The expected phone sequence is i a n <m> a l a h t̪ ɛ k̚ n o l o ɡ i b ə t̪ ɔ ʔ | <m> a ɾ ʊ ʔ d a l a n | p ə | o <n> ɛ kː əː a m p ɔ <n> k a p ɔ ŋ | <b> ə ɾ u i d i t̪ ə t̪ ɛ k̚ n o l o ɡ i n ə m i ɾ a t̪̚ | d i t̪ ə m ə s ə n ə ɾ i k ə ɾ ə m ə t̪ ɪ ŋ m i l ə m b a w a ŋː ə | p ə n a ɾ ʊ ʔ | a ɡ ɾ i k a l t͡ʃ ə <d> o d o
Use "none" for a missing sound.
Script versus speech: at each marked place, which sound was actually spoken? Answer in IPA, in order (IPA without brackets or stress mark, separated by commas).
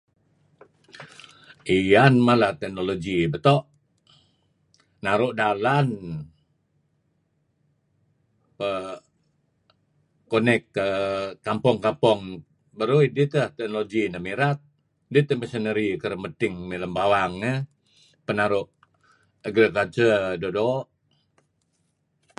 m, n, n, ŋ, b, d